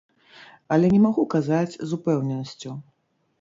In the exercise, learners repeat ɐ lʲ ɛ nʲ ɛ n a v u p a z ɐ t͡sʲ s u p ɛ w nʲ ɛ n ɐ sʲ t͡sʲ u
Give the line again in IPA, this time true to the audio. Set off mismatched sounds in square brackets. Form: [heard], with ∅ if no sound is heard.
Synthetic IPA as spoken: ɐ lʲ ɛ nʲ ɛ [m] a [ɣ] u [k] a z [a] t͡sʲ [z] u p ɛ w nʲ ɛ n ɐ sʲ t͡sʲ u